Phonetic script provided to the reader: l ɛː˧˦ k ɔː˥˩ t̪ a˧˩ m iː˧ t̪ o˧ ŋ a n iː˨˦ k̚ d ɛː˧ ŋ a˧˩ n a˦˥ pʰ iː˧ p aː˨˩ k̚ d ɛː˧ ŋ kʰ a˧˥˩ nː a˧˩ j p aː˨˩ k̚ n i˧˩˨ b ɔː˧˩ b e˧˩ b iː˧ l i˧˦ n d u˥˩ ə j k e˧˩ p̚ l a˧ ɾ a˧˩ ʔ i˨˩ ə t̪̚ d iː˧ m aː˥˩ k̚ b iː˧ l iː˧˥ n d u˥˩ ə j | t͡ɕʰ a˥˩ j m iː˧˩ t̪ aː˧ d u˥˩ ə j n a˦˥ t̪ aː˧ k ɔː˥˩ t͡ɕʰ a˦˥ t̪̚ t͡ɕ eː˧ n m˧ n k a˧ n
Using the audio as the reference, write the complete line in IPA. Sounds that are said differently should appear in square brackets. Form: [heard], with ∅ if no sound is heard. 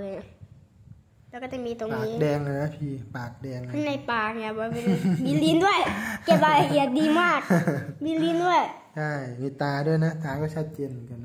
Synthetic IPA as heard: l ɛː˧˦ k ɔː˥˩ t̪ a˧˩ m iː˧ t̪ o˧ ŋ a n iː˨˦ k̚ d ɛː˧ ŋ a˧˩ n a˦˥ pʰ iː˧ p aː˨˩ k̚ d ɛː˧ ŋ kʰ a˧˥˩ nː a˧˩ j p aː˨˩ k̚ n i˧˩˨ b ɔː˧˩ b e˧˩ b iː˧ l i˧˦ n d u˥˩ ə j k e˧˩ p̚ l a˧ [l] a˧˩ ʔ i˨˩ ə t̪̚ d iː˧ m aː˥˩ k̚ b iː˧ l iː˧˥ n d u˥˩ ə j | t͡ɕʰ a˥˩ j m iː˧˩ t̪ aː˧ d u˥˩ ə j n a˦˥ t̪ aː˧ k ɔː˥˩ t͡ɕʰ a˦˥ t̪̚ t͡ɕ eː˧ n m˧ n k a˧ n